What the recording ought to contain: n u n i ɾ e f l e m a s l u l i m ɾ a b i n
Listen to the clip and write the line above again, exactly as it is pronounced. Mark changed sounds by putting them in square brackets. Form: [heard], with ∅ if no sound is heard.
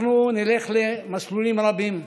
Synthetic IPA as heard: n u n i [l] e [χ] l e m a s l u l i m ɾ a b i [m]